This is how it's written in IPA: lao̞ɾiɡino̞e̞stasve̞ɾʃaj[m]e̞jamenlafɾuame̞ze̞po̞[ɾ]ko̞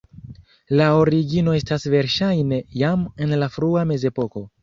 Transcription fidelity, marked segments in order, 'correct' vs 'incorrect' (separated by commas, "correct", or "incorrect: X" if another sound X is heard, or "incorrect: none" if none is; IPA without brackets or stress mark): incorrect: n, incorrect: none